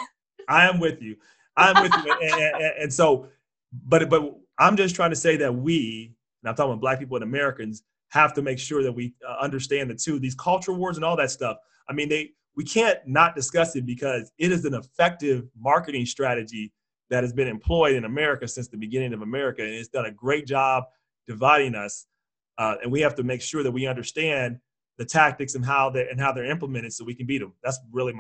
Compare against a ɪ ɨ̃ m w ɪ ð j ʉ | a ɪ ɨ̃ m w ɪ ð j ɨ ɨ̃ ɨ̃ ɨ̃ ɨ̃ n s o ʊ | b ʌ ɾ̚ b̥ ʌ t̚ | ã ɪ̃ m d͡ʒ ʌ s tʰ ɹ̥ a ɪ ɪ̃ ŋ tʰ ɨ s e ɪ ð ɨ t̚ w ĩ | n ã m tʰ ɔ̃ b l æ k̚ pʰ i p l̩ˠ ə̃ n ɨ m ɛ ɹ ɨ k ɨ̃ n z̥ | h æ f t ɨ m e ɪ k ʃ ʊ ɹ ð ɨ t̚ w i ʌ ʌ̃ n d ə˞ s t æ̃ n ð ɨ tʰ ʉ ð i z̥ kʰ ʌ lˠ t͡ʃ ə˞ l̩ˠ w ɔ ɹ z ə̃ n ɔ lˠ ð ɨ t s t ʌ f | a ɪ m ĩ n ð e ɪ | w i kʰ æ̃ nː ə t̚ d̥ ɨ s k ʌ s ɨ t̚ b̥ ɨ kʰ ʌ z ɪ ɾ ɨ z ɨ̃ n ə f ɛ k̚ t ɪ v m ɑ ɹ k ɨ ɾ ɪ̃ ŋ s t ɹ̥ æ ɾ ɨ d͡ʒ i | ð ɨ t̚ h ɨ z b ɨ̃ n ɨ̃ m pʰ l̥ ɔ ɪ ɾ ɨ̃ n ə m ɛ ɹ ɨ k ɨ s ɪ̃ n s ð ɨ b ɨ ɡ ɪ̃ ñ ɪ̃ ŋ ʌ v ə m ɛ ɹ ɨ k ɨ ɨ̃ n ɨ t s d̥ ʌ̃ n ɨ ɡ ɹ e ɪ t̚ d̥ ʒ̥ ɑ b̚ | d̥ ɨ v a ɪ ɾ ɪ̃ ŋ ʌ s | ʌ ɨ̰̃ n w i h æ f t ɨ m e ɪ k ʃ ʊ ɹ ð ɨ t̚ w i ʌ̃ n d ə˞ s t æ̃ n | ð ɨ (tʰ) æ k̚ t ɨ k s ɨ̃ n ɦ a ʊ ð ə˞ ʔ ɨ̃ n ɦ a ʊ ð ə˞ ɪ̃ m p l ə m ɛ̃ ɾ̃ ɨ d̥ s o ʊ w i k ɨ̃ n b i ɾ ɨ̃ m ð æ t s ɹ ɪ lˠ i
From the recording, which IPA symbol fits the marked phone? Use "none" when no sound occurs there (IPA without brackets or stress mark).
tʰ